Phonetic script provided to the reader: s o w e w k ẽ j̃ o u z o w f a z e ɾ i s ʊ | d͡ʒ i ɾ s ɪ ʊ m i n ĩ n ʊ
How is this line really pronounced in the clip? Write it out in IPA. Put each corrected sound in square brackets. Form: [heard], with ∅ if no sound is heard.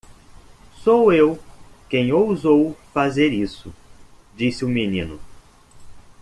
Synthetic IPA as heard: s o w e w k ẽ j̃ o [w] z o w f a z e ɾ i s ʊ | d͡ʒ i [∅] s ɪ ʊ m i n ĩ n ʊ